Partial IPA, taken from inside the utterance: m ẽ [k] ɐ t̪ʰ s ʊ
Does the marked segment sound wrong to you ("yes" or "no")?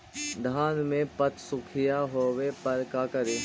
yes